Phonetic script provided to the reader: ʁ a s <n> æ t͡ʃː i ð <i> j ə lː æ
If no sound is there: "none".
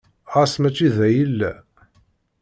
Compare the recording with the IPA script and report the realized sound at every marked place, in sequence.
m, æ

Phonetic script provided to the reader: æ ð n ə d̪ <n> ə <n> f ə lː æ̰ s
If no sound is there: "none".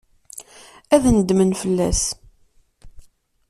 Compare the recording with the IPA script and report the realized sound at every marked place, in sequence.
m, n

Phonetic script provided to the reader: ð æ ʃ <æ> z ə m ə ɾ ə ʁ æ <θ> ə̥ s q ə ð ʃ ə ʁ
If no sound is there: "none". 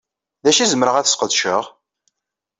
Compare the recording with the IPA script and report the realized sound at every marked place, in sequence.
i, θ

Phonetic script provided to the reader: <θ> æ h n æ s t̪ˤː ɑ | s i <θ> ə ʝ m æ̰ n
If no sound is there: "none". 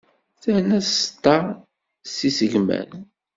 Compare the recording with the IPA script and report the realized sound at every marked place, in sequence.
θ, s

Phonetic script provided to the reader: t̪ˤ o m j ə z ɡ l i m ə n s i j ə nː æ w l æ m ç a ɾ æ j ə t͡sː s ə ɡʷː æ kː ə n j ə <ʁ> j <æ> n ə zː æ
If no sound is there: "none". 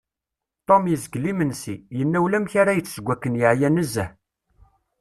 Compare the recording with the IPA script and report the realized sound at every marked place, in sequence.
ʕ, æ

